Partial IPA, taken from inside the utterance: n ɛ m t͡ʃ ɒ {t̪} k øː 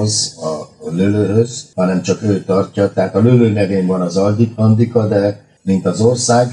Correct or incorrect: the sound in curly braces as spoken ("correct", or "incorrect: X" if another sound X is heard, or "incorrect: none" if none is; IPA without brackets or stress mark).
incorrect: none